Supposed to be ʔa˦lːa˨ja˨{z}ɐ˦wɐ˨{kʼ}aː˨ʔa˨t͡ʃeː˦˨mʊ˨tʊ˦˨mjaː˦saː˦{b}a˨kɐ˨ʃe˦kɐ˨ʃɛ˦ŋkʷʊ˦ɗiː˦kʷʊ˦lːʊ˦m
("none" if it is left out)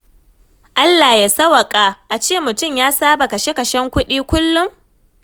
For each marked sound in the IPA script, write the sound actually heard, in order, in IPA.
s, kʼ, b

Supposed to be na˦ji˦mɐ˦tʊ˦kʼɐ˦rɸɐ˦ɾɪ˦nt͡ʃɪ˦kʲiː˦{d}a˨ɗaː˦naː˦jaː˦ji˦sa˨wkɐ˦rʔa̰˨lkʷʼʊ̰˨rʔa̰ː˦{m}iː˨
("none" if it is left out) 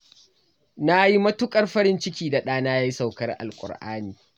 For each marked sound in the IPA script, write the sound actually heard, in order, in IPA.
d, n

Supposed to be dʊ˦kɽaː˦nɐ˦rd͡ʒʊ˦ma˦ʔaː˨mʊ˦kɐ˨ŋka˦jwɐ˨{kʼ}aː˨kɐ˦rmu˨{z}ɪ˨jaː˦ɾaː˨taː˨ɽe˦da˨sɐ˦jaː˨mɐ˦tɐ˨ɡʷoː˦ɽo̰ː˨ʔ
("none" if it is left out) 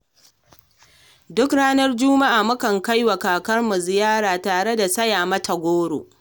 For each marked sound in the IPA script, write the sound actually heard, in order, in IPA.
k, z

